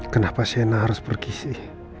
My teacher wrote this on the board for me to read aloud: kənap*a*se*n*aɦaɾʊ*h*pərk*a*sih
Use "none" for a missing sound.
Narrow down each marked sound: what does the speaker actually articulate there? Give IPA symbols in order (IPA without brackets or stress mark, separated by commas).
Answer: a, n, s, i